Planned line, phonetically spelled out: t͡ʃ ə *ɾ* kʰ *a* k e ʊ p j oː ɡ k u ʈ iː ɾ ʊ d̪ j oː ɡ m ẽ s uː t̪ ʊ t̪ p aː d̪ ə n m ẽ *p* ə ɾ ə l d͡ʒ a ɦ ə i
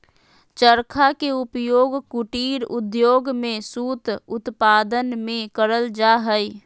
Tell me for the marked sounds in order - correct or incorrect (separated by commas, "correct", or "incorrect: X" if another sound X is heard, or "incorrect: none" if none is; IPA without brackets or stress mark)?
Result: correct, correct, incorrect: k